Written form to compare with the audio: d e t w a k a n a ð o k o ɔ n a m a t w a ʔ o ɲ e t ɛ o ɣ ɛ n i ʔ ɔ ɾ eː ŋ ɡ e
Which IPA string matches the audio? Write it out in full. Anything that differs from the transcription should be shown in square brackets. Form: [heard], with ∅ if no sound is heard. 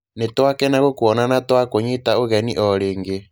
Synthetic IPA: [n] e t w a k [ɛ] n a [ɣ] o k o ɔ n a [n] a t w a [k] o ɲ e t [a] o ɣ ɛ n i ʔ ɔ ɾ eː ŋ ɡ e